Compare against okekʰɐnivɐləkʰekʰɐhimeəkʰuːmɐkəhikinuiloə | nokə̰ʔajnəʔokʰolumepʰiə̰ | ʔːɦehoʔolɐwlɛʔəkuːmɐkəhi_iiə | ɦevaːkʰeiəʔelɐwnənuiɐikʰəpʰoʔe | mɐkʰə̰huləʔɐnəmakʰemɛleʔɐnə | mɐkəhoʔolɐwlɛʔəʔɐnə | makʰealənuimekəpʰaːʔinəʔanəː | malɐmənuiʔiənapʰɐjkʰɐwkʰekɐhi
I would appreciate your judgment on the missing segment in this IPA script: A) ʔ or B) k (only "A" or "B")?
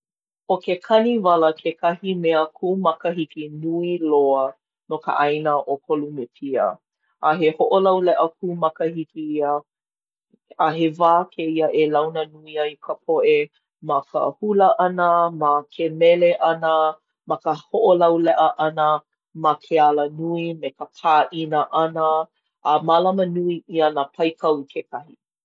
B